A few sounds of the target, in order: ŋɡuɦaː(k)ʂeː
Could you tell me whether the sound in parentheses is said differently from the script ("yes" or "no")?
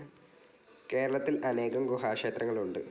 no